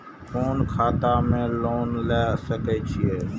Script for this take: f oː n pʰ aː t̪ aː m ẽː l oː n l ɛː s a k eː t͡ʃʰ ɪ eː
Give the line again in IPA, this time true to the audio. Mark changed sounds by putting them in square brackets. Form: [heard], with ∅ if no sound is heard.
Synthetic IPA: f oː n [kʰ] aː t̪ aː m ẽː l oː n l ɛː s [ə] k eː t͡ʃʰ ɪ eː